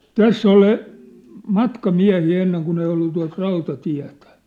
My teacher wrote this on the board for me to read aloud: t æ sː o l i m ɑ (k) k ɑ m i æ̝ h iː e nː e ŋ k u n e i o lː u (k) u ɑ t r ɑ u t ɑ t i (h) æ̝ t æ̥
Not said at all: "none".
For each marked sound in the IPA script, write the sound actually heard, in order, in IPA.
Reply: t, t, none

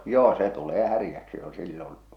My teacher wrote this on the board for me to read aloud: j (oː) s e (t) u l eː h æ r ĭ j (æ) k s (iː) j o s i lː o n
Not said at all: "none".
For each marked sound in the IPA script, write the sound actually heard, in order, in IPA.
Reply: oː, t, æ, i

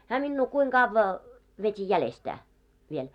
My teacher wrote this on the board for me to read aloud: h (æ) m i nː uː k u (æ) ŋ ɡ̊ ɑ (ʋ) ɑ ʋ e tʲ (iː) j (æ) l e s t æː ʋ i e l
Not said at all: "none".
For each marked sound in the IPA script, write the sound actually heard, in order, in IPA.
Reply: æː, i, ʋː, i, æ

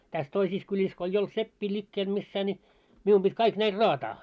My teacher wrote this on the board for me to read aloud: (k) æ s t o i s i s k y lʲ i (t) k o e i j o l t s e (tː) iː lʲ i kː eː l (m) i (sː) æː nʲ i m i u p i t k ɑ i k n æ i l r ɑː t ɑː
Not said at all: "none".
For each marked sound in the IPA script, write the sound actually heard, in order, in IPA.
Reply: t, s, pː, m, sː

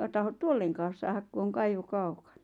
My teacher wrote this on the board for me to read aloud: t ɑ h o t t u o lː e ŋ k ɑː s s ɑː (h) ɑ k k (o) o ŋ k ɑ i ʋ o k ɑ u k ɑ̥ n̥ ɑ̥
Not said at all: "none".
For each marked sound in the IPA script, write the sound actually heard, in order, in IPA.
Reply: h, u

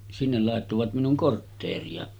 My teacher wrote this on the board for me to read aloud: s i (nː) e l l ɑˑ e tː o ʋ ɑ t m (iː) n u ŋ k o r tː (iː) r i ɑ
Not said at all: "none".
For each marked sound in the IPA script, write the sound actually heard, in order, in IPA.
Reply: nː, i, eː

